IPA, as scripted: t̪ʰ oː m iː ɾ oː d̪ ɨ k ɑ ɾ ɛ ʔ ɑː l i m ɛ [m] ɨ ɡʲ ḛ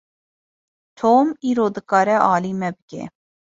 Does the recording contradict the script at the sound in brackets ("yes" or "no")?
yes